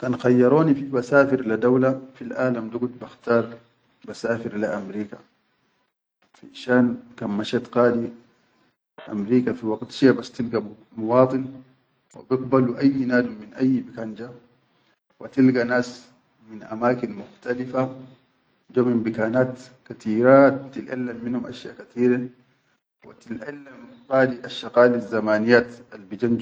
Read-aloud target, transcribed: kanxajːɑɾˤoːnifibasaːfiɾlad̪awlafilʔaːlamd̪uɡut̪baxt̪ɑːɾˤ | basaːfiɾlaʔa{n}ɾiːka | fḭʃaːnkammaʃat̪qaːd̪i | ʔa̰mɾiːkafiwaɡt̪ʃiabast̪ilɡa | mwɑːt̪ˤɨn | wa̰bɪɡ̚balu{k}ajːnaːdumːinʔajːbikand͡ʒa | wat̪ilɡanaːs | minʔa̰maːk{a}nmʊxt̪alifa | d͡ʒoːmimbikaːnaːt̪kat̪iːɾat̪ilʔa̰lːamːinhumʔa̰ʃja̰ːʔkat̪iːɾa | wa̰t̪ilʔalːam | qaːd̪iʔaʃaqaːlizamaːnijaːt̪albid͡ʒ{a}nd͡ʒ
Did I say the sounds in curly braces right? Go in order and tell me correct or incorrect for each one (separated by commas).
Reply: incorrect, incorrect, incorrect, correct